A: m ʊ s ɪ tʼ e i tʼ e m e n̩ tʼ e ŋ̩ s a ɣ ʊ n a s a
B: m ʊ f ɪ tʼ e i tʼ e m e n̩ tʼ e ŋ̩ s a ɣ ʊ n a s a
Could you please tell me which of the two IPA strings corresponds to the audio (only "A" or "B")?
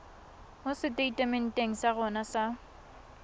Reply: A